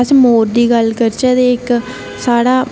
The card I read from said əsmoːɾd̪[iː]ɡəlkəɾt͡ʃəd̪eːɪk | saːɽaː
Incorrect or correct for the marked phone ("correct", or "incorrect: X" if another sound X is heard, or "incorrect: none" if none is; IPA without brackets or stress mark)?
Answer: correct